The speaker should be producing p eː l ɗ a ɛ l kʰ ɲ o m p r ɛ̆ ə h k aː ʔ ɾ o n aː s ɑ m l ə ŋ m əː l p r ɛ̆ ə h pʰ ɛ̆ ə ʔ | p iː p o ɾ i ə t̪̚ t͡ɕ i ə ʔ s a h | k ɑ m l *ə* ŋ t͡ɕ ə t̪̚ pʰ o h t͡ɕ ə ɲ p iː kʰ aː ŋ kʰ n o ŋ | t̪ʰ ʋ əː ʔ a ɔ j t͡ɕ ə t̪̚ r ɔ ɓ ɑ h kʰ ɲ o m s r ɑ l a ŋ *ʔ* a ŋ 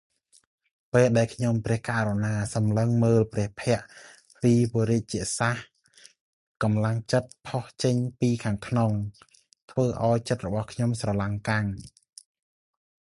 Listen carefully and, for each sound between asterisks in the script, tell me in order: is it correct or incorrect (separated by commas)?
incorrect, incorrect